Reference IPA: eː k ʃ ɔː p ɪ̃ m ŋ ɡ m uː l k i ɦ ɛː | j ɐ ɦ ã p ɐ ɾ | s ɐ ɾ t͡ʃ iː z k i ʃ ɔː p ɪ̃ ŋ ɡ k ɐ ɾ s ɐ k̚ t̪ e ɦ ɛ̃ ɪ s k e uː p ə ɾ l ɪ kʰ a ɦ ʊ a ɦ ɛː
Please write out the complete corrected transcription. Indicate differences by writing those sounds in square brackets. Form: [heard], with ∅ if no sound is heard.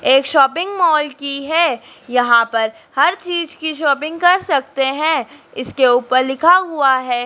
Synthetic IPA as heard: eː k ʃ ɔː p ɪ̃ [∅] ŋ ɡ m [ɔː] l k i ɦ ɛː | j ɐ ɦ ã p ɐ ɾ | [h] ɐ ɾ t͡ʃ iː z k i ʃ ɔː p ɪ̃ ŋ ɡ k ɐ ɾ s ɐ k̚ t̪ e ɦ ɛ̃ ɪ s k e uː p ə ɾ l ɪ kʰ a ɦ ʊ a ɦ ɛː